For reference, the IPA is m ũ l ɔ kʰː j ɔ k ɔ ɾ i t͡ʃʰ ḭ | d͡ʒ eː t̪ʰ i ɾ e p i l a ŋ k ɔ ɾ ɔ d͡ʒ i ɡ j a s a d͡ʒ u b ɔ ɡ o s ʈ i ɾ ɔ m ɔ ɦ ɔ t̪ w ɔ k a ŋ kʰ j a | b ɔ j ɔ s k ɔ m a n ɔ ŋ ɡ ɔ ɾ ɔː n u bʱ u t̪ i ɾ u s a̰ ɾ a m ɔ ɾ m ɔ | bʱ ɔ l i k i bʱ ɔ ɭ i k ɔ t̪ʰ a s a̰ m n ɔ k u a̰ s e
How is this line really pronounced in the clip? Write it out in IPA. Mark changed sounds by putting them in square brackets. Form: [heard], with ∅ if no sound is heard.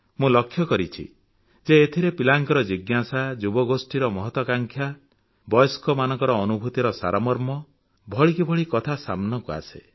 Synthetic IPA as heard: m ũ l ɔ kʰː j ɔ k ɔ ɾ i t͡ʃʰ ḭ | d͡ʒ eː t̪ʰ i ɾ e p i l a ŋ k ɔ ɾ ɔ d͡ʒ i ɡ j a s a d͡ʒ u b ɔ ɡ o s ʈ i ɾ ɔ m ɔ ɦ ɔ t̪ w ɔ k a ŋ kʰ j a | b ɔ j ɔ s k ɔ m a n ɔ ŋ [k] ɔ ɾ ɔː n u bʱ u t̪ i ɾ [ɔ] s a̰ ɾ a m ɔ ɾ m ɔ | bʱ ɔ [ɭ] i k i bʱ ɔ ɭ i k ɔ t̪ʰ a s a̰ m n ɔ k u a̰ s e